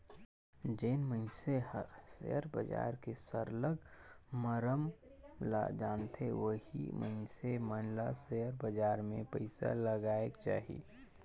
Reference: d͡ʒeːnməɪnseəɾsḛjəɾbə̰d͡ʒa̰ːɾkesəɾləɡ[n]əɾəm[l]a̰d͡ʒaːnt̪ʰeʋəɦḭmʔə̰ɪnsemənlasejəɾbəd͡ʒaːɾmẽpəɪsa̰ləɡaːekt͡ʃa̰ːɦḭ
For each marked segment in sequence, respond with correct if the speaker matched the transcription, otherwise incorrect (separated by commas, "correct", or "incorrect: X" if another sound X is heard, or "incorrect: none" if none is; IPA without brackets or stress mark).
incorrect: m, correct